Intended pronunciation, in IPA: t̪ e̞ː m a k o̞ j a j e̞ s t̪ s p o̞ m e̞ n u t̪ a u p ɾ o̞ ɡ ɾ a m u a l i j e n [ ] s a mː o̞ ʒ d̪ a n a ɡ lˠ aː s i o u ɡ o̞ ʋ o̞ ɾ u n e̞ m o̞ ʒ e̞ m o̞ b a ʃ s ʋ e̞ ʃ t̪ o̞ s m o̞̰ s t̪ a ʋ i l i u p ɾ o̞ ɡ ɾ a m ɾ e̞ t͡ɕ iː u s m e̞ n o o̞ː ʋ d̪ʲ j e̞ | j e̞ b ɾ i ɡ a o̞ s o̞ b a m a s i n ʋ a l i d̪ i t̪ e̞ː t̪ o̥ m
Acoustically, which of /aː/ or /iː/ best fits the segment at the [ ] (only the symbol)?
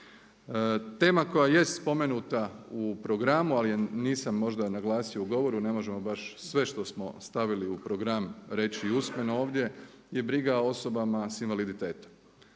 iː